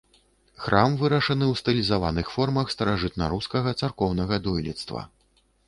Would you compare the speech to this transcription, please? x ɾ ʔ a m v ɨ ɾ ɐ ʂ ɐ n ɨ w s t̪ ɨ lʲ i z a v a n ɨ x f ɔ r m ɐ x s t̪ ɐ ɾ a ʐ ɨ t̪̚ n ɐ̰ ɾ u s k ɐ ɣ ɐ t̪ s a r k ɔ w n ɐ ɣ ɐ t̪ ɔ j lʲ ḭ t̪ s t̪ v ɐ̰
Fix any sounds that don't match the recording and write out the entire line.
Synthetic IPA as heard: x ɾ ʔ a m v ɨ ɾ ɐ ʂ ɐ n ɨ w s t̪ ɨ lʲ i z a v a n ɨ x f ɔ r m ɐ x s t̪ ɐ ɾ a ʐ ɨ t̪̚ n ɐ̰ ɾ u s k ɐ ɣ ɐ t̪ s a r k ɔ w n ɐ ɣ ɐ d̪ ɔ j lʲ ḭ t̪ s t̪ v ɐ̰

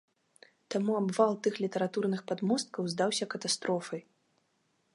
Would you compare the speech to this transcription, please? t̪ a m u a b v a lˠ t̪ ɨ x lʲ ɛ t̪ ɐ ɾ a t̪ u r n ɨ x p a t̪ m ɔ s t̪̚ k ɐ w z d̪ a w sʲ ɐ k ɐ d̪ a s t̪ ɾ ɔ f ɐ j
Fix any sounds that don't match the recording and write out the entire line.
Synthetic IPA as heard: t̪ a m u a b v a lˠ t̪ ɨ x lʲ i t̪ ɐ ɾ a t̪ u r n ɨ x p a d̪ m ɔ s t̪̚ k ɐ w z d̪ a w sʲ ɐ k ɐ t̪ a s t̪ ɾ ɔ f ɐ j

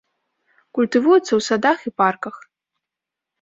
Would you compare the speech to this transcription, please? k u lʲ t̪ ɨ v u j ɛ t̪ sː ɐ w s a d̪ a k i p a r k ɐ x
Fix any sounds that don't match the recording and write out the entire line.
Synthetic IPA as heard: k u lʲ t̪ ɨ v u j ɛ t̪ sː ɐ w s a d̪ a x i p a r k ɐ x

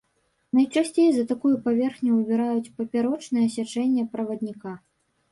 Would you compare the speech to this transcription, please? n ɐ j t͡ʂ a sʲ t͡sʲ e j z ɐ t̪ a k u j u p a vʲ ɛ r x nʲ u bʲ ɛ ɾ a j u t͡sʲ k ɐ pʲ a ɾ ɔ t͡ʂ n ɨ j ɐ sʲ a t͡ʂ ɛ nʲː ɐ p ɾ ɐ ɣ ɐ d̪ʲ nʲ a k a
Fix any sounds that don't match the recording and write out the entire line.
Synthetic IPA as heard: n ɐ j t͡ʂ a sʲ t͡sʲ e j z ɐ t̪ a k u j u p a vʲ ɛ r x nʲ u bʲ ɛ ɾ a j u t͡sʲ p ɐ pʲ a ɾ ɔ t͡ʂ n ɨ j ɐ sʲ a t͡ʂ ɛ nʲː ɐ p ɾ ɐ v ɐ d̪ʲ nʲ i k a

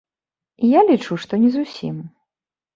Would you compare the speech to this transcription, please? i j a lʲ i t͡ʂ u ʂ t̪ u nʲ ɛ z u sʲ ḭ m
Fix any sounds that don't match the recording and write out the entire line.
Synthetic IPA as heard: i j a lʲ i t͡ʂ u ʂ t̪ ɔ nʲ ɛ z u sʲ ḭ m

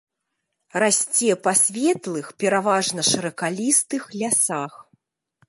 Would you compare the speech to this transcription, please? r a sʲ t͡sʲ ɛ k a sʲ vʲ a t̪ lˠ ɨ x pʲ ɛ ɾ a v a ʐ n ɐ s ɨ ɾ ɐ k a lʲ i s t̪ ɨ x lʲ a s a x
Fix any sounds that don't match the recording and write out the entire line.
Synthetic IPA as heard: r a sʲ t͡sʲ ɛ p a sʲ vʲ ɛ t̪ lˠ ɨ x pʲ ɛ ɾ a v a ʐ n ɐ ʂ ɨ ɾ ɐ k a lʲ i s t̪ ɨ x lʲ a s a x

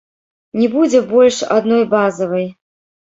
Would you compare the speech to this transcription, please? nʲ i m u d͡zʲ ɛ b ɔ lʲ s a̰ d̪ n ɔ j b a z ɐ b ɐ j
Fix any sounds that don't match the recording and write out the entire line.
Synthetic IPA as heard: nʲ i b u d͡zʲ ɛ b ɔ lʲ ʂ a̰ d̪ n ɔ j b a z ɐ v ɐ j

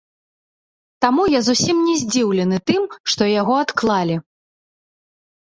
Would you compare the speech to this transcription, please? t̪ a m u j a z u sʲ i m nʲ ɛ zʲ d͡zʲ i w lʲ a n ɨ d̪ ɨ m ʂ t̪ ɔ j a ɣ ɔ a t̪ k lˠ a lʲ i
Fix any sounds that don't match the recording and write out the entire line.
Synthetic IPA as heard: t̪ a m u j a z u sʲ i m nʲ ɛ zʲ d͡zʲ i w lʲ ɛ n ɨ t̪ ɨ m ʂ t̪ ɔ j a ɣ ɔ a t̪ k lˠ a lʲ i

